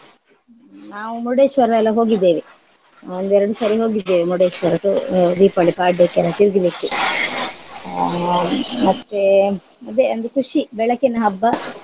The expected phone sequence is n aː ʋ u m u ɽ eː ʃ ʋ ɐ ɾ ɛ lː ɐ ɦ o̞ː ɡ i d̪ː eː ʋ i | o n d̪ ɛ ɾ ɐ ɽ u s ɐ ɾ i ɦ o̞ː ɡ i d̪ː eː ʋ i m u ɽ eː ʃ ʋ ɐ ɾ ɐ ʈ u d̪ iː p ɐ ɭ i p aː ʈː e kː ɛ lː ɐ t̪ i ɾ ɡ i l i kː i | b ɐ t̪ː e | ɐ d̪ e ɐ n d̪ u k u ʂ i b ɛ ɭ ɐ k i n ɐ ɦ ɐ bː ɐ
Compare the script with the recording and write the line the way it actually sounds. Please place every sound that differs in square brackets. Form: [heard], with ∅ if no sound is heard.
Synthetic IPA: n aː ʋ u m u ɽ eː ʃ ʋ ɐ ɾ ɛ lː ɐ ɦ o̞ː ɡ i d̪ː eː ʋ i | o n d̪ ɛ ɾ ɐ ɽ u s ɐ ɾ i ɦ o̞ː ɡ i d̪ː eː ʋ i m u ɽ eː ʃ ʋ ɐ ɾ ɐ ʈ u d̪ iː p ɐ ɭ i p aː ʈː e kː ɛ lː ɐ t̪ i ɾ ɡ i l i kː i | [m] ɐ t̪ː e | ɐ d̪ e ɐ n d̪ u k u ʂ i b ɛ ɭ ɐ k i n ɐ ɦ ɐ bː ɐ